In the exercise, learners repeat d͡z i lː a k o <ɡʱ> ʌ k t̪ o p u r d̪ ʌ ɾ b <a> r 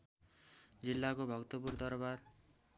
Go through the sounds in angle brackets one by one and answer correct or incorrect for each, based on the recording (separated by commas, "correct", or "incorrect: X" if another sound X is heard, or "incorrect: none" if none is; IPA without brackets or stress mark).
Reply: incorrect: bʱ, correct